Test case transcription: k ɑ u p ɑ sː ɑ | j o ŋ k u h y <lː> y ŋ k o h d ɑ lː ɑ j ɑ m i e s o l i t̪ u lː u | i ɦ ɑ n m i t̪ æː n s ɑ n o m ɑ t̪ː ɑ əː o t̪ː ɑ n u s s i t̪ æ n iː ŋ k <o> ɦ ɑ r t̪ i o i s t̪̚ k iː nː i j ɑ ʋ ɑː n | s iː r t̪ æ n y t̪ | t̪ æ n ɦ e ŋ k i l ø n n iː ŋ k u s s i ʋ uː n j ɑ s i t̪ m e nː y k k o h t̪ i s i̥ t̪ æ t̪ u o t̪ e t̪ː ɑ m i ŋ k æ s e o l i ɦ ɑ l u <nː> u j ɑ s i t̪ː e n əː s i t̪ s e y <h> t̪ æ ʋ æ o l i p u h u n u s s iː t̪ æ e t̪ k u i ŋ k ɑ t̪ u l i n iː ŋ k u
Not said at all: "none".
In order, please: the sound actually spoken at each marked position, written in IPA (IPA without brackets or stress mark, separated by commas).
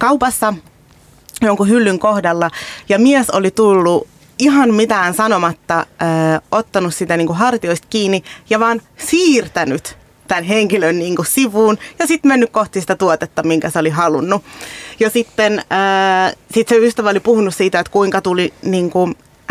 lː, u, nː, s